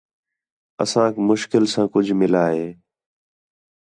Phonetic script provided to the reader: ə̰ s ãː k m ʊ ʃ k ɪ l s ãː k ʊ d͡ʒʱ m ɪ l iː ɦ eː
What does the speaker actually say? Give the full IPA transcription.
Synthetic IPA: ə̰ s ãː k m ʊ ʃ k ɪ l s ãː k ʊ d͡ʒʱ m ɪ l aː ɦ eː